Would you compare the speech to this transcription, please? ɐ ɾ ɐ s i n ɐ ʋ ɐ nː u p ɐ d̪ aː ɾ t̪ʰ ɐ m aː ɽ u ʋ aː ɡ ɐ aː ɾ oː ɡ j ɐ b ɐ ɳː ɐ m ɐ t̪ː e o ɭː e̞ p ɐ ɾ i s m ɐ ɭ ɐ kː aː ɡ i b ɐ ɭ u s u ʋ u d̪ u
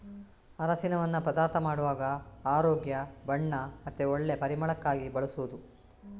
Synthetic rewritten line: ɐ ɾ ɐ s i n ɐ ʋ ɐ nː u p ɐ d̪ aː ɾ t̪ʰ ɐ m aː ɽ u ʋ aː ɡ ɐ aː ɾ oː ɡ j ɐ b ɐ ɳː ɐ m ɐ t̪ː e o ɭː e̞ p ɐ ɾ i m ɐ ɭ ɐ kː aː ɡ i b ɐ ɭ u s u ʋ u d̪ u